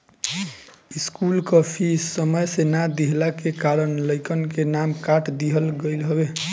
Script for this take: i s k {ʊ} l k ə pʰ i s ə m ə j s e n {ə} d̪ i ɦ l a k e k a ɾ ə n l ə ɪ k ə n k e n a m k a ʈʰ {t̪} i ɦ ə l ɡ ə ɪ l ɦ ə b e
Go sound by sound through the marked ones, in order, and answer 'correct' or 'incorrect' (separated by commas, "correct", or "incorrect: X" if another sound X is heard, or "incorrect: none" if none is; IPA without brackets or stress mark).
incorrect: u, incorrect: a, incorrect: d̪